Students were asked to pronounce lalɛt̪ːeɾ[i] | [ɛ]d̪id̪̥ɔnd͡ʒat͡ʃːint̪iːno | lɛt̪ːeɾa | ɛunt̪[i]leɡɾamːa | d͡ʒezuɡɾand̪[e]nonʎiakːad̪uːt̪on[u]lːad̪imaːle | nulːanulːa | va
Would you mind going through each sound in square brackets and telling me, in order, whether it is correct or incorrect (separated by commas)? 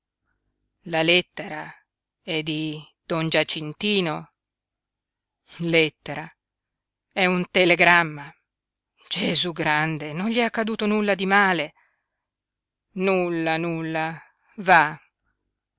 incorrect, correct, incorrect, correct, correct